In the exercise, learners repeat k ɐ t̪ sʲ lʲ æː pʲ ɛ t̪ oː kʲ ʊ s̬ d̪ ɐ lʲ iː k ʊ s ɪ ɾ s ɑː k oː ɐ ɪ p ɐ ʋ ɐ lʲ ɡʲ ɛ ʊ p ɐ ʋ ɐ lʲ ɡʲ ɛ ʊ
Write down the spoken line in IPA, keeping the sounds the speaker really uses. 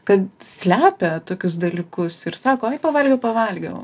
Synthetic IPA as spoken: k ɐ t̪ sʲ lʲ æː pʲ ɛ t̪ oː kʲ ʊ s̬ d̪ ɐ lʲ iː k ʊ s ɪ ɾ s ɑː k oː ɐ ɪ p ɐ ʋ ɐ lʲ ɡʲ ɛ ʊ p ɐ ʋ ɐ lʲ ɡʲ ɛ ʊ